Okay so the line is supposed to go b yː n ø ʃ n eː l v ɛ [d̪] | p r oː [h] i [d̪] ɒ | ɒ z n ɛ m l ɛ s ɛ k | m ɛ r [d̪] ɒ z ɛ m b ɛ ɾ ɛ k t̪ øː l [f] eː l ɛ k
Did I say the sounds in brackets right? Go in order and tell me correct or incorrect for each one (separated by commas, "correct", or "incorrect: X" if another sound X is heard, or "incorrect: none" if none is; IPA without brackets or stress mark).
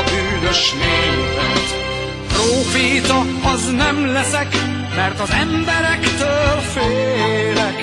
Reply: incorrect: t̪, incorrect: f, incorrect: t̪, incorrect: t̪, correct